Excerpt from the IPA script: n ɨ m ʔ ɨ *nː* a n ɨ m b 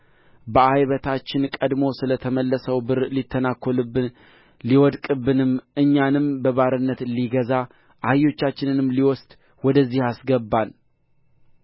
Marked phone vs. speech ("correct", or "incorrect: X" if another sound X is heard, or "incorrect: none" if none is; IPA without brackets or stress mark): incorrect: ɲː